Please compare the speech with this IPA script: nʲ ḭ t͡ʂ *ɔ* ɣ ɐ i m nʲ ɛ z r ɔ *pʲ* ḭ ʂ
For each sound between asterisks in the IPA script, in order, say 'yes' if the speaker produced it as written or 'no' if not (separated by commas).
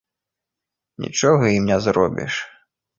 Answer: yes, no